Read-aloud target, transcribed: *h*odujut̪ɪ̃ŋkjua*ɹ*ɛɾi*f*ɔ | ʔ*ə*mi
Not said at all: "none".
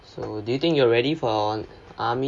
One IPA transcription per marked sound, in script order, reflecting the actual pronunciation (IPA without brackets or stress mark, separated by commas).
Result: s, ɹ, f, a